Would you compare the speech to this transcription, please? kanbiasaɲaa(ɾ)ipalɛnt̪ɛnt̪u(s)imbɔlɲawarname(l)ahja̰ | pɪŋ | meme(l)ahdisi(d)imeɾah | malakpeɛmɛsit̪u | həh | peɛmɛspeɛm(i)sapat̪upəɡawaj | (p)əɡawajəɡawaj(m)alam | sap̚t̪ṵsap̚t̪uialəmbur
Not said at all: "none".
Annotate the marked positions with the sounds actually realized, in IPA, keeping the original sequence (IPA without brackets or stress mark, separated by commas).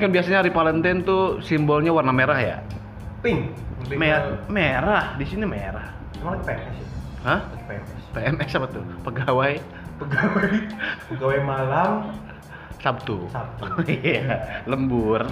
ɾ, s, ɾ, ɾ, n, ɛ, p, m